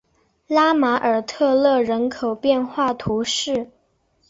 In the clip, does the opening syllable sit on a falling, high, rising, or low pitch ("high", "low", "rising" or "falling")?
high